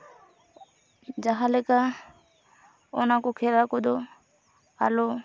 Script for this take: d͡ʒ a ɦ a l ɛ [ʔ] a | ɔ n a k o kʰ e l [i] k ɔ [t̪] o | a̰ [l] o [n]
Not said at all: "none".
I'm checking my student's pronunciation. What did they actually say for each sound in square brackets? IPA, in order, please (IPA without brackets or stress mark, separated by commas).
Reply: k, a, d̪, l, none